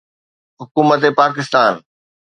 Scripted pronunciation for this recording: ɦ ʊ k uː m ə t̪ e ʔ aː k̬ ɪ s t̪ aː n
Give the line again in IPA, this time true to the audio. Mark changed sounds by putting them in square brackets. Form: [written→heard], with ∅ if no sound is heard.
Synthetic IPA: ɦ ʊ k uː m ə t̪ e [ʔ→p] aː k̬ ɪ s t̪ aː n